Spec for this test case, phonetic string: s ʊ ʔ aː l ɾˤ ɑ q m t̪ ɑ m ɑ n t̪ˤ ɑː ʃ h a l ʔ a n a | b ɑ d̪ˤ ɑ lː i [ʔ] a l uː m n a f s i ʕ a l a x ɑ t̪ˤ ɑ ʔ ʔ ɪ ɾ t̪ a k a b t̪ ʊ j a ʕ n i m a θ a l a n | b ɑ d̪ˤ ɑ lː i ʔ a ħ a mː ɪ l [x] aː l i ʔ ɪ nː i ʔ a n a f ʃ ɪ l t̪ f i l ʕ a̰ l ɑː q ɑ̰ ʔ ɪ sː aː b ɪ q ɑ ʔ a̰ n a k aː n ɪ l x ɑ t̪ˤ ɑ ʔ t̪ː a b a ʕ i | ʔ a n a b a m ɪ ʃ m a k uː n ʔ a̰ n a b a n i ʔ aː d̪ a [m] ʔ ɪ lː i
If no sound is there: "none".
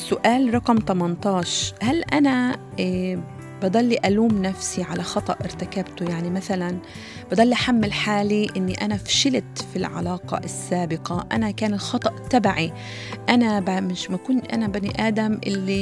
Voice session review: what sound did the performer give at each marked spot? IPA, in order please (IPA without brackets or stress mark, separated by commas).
ʔ, ħ, m